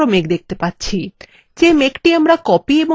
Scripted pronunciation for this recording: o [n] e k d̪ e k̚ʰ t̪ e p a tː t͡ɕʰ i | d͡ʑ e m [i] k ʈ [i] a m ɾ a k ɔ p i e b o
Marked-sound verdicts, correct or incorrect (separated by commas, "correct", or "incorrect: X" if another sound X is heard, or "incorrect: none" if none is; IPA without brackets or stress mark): incorrect: m, incorrect: e, correct